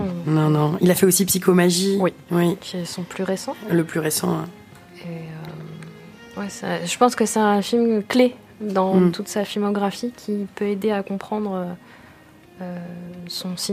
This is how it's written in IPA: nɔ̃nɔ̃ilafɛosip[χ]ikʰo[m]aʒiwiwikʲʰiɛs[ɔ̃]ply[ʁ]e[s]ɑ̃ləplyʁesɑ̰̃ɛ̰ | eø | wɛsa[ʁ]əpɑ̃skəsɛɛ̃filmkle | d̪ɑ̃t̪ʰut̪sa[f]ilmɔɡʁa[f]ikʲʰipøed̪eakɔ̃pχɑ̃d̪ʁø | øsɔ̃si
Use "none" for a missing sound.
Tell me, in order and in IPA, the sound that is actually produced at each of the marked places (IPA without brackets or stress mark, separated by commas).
s, m, ɔ̃, ʁ, s, ʒ, f, f